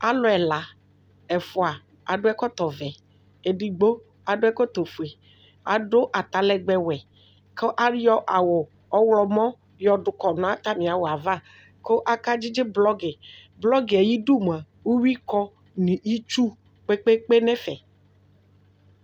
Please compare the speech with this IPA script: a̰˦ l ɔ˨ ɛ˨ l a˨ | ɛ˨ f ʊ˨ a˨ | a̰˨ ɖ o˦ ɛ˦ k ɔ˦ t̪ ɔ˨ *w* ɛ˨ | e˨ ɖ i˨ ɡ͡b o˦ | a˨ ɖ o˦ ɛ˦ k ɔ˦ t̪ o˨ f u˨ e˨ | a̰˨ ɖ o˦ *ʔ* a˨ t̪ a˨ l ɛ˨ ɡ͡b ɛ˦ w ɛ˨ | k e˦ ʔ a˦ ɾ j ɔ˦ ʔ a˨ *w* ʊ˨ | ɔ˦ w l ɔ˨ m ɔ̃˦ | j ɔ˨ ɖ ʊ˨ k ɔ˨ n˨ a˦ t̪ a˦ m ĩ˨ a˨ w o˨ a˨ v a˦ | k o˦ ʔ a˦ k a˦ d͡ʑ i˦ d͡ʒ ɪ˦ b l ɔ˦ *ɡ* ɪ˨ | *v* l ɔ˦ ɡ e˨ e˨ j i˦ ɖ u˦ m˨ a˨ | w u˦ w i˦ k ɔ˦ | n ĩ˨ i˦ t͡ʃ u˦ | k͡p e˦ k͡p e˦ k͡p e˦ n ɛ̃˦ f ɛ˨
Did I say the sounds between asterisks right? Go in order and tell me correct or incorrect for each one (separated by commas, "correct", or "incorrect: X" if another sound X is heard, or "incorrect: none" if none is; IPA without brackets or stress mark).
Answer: incorrect: v, correct, correct, correct, incorrect: b